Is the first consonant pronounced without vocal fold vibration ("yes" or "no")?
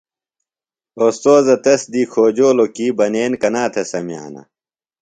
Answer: yes